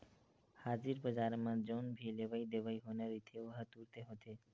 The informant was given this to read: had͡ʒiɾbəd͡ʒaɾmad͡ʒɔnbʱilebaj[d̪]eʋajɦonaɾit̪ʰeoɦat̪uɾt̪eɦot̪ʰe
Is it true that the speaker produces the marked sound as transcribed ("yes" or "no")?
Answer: yes